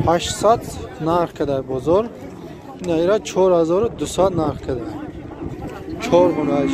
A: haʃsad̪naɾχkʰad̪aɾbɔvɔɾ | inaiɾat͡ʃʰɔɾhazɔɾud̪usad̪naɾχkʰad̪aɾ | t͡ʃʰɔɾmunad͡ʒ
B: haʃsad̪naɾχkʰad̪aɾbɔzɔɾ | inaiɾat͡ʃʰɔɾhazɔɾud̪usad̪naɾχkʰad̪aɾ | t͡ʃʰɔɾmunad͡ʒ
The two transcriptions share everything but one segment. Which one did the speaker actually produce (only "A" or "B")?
B